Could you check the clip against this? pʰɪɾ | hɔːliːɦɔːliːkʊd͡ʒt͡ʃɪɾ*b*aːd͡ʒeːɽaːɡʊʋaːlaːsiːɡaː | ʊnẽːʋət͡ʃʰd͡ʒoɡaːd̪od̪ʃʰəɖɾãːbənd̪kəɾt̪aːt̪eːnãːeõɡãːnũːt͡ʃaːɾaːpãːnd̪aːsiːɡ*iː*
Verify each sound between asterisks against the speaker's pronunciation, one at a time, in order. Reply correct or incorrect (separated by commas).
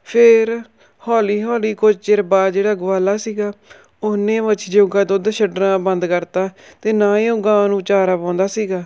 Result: correct, incorrect